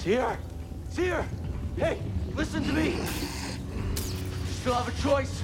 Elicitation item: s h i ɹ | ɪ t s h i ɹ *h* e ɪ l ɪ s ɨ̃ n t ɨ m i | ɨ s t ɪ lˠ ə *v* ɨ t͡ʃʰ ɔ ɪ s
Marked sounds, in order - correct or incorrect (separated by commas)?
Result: correct, correct